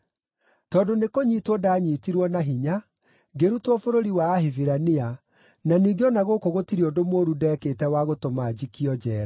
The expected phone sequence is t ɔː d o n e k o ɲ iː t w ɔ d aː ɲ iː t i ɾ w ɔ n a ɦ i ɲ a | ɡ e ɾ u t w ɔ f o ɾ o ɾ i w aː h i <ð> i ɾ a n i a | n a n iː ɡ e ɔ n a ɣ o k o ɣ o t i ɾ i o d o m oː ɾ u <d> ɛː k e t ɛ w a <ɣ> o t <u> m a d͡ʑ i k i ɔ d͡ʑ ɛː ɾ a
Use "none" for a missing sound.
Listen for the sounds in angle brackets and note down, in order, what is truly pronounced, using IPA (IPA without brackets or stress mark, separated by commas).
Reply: v, d, ɣ, o